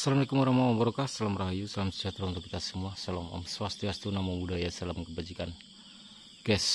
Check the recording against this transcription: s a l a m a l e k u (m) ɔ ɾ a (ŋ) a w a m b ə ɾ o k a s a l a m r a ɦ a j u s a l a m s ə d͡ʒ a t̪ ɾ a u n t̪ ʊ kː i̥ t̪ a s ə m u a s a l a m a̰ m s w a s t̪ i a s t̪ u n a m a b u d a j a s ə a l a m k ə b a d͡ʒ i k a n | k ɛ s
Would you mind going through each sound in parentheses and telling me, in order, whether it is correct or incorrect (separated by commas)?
correct, incorrect